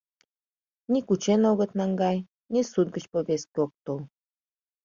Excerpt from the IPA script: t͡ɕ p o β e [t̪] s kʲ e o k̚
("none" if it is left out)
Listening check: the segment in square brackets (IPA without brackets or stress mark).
none